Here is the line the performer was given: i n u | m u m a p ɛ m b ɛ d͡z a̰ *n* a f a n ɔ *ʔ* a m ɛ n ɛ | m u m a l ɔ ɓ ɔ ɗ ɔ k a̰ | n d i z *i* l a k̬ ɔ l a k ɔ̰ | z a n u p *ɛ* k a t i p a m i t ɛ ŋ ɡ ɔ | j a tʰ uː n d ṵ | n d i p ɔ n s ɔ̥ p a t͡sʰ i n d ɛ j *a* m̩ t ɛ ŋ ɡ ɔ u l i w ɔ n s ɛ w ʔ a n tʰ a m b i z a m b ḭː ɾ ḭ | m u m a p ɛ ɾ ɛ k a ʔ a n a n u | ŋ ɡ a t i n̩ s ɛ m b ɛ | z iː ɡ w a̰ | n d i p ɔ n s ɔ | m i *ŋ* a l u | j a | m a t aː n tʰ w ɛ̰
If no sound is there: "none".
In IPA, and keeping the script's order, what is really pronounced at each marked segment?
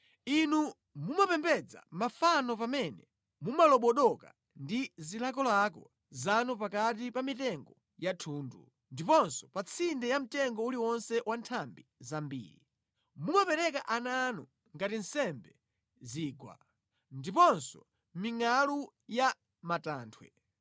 m, p, i, a, a, ŋ

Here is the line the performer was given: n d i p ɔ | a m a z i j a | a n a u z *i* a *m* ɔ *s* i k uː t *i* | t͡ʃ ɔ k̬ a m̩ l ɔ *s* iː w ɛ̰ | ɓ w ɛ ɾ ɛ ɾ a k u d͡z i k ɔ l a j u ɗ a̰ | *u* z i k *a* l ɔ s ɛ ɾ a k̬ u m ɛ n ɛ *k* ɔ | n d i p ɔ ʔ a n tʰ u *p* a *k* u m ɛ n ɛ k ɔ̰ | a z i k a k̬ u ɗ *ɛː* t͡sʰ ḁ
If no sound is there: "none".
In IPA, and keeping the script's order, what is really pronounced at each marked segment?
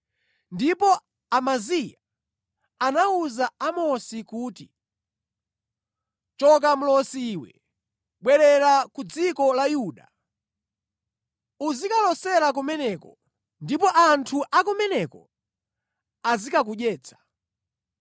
a, m, s, i, s, u, a, k, ʔ, k, ɛː

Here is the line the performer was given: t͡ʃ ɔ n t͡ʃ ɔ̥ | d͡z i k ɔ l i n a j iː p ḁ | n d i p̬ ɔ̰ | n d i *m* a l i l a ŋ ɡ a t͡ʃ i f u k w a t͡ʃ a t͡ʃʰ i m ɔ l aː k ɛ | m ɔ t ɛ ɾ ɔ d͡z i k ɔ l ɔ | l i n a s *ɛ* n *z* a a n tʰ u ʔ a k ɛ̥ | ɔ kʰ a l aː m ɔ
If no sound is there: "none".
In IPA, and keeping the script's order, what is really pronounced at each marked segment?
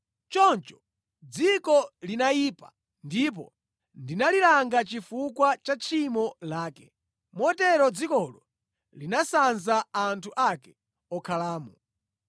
n, a, z

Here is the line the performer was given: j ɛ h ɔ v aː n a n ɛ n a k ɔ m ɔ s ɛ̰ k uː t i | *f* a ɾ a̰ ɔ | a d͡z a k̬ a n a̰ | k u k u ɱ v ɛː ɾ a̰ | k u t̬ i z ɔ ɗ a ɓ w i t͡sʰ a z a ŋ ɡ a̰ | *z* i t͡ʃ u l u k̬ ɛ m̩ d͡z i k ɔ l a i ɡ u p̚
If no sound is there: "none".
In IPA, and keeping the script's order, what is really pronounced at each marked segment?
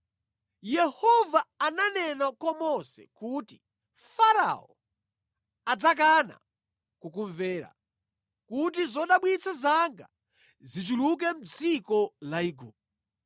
f, z

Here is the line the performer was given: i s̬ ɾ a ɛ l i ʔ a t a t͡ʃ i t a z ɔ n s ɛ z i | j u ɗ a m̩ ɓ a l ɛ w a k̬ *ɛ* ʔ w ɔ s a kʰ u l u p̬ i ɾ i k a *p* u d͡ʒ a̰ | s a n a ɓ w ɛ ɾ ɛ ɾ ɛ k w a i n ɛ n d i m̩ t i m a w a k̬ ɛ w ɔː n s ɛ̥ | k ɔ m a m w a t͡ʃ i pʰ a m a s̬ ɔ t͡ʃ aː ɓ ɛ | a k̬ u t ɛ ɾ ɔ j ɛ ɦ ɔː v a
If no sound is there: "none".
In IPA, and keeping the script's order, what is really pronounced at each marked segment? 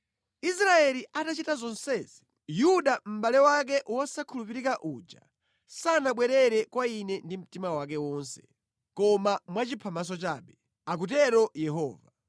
ɛ, ʔ

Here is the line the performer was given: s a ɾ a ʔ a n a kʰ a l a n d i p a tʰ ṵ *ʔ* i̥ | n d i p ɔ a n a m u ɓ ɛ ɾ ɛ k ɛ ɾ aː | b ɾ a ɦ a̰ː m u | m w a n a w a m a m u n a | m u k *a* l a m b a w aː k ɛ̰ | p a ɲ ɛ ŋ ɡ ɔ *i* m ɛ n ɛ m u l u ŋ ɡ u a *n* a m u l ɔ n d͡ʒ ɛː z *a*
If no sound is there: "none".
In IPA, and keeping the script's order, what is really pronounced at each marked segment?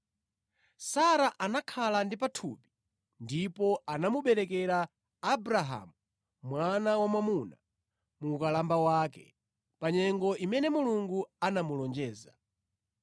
p, a, i, n, a

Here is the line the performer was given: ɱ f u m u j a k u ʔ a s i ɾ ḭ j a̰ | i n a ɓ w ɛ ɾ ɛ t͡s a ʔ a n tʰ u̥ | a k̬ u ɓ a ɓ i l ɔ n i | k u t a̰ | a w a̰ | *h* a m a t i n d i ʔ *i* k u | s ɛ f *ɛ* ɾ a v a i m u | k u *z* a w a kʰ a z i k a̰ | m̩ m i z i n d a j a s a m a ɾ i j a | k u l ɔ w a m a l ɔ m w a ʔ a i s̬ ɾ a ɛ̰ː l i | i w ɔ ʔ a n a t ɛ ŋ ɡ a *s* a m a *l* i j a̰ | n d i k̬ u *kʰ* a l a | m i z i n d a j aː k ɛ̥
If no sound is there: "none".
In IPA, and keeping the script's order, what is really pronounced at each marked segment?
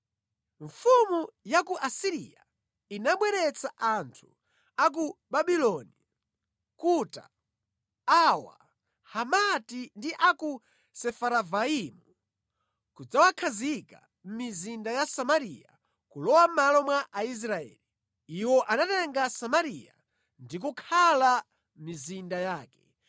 h, a, a, d͡z, s, ɾ, kʰ

